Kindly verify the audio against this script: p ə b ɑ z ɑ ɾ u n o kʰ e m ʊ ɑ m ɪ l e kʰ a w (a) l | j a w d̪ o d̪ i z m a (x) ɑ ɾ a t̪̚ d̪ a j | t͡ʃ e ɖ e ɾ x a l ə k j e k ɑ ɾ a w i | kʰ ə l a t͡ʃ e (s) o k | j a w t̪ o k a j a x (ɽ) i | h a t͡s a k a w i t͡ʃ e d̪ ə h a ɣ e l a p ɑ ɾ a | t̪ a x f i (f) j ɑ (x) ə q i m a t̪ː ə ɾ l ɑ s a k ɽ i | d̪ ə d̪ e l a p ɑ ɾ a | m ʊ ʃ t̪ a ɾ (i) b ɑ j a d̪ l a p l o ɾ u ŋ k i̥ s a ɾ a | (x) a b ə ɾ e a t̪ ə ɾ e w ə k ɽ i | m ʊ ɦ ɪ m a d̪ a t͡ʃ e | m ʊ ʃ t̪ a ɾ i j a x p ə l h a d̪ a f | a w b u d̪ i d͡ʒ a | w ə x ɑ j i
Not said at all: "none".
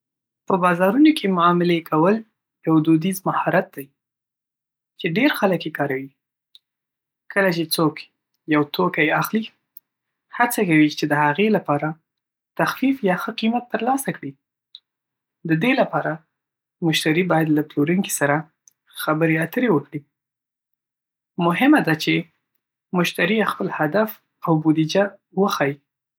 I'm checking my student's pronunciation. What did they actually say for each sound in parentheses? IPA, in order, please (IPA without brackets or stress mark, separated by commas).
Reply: ə, h, t͡s, l, f, x, i, x